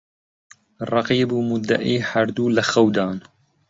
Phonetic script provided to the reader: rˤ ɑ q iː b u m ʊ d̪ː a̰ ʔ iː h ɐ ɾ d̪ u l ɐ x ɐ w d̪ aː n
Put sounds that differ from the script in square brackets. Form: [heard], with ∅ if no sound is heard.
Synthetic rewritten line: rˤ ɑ q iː b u m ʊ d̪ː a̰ ʔ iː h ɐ ɾ d̪ u l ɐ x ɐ w d̪ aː n